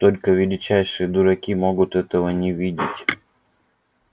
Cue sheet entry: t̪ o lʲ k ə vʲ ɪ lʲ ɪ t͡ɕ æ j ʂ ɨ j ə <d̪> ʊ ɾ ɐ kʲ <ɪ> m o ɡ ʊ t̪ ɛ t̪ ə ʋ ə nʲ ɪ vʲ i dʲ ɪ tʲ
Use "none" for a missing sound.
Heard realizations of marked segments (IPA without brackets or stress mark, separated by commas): d̪, i